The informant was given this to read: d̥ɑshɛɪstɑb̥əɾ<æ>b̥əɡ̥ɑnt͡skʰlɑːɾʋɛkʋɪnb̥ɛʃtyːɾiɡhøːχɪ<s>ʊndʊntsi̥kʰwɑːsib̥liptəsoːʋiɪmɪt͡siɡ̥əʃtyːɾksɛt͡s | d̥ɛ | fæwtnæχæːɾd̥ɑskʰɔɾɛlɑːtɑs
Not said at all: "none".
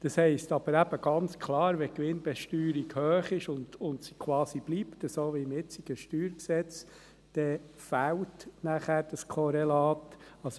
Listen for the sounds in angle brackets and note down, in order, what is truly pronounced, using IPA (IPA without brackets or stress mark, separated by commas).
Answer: æ, ʃ